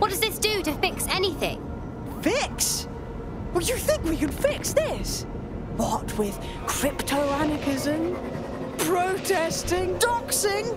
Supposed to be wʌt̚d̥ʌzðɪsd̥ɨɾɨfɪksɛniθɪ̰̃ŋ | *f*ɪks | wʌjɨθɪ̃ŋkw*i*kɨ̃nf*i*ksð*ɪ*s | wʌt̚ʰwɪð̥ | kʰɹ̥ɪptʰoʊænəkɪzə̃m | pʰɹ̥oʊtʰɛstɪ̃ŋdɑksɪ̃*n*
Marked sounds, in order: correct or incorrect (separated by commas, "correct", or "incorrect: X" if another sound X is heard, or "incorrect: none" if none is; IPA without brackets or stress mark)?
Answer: correct, correct, incorrect: ɪ, correct, incorrect: ŋ